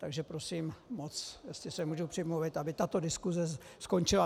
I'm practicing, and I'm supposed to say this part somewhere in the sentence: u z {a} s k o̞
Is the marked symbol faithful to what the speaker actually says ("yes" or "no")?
no